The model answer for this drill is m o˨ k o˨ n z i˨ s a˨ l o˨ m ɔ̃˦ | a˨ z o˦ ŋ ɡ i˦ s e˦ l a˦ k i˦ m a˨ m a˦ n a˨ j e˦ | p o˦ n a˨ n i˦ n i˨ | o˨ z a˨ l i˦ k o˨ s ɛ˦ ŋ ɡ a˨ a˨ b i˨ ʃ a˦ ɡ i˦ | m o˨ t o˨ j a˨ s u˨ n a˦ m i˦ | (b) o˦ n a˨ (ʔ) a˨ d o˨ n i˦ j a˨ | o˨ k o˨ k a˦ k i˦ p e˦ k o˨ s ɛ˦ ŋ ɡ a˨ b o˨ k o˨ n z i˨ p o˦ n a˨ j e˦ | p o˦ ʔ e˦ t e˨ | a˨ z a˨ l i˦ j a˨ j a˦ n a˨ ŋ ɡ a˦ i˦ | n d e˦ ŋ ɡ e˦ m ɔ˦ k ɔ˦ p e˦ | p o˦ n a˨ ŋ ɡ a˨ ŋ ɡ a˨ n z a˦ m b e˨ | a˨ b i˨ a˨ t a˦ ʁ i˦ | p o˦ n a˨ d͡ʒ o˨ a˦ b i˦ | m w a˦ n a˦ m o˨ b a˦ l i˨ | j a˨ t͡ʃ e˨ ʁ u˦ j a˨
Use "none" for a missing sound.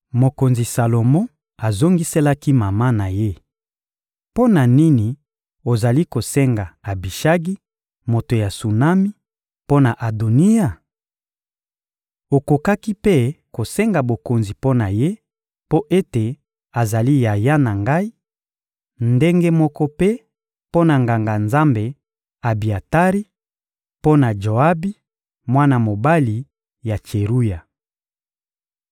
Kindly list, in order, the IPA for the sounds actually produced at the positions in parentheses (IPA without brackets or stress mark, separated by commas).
p, ʔ